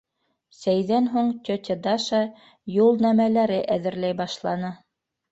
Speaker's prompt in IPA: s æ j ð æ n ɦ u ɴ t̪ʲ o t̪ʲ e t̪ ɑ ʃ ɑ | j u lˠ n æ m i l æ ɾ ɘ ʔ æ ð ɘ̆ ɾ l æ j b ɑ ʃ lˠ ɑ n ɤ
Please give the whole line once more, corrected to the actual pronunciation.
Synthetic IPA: s æ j ð æ n ɦ u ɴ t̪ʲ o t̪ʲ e d̪ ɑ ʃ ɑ | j u lˠ n æ m æ l æ ɾ ɘ ʔ æ ð ɘ̆ ɾ l æ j b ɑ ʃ lˠ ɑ n ɤ